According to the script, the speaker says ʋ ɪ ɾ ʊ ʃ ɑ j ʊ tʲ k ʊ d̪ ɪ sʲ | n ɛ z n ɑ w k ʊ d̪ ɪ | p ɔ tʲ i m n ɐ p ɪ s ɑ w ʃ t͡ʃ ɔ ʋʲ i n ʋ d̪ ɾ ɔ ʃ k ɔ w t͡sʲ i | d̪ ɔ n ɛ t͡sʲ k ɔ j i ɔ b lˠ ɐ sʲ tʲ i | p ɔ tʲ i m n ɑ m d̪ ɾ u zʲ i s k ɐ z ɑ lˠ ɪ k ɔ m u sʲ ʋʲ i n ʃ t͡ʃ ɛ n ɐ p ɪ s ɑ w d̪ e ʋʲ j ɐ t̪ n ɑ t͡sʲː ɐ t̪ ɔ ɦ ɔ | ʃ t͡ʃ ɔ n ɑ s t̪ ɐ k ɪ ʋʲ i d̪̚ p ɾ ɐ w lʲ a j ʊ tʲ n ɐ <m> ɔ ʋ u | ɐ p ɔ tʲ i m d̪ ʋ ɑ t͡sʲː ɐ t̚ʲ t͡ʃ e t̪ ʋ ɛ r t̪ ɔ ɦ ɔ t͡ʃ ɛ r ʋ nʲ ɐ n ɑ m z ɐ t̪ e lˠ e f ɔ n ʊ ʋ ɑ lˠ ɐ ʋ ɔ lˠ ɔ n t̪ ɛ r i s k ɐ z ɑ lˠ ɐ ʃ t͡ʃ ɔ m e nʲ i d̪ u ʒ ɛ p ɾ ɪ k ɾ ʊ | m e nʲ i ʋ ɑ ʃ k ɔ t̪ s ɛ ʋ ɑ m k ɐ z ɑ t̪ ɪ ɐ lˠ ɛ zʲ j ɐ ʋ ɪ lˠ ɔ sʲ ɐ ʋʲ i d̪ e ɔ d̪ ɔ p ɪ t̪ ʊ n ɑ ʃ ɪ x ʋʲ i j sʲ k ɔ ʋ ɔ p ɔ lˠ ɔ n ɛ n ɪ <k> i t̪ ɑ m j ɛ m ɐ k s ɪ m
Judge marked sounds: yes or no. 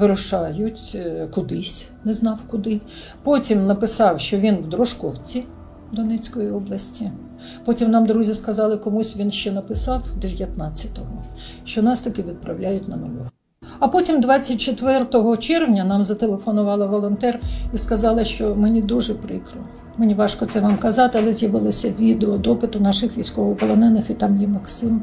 no, no

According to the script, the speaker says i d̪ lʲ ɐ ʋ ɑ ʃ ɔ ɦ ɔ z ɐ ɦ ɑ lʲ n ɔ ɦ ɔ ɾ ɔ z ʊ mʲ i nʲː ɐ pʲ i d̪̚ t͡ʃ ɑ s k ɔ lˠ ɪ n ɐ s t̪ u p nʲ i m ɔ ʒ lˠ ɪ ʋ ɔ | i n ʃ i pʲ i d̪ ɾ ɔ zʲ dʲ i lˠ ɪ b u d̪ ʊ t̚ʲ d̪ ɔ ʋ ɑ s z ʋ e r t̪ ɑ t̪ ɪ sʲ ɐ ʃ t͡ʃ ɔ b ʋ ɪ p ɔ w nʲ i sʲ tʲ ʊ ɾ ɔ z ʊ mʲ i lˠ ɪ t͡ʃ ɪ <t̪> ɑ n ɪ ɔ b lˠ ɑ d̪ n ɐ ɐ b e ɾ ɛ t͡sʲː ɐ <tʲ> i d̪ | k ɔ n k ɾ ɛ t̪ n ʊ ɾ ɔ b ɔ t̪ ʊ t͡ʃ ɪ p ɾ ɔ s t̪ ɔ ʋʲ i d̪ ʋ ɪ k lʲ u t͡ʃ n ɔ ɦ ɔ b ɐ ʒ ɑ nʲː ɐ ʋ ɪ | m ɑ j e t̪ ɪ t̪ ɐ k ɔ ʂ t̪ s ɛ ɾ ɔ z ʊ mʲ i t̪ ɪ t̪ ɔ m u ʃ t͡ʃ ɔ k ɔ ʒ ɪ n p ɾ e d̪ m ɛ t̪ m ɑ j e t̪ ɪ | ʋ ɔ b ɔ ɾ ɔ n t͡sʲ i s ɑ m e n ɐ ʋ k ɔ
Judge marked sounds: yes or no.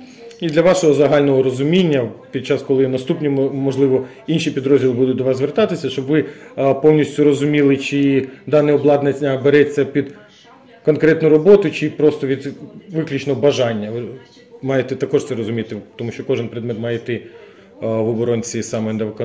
no, no

